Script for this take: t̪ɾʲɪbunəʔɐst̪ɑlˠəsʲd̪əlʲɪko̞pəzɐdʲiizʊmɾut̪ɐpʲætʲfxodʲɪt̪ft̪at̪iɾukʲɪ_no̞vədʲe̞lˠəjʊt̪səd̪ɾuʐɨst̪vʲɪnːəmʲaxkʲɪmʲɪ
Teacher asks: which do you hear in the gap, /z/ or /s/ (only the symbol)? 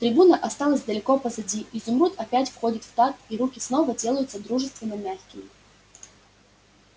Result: s